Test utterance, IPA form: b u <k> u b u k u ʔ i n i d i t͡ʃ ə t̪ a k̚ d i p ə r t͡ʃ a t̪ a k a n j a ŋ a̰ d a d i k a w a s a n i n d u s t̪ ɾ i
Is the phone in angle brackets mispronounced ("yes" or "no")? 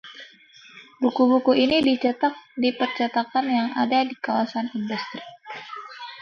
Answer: no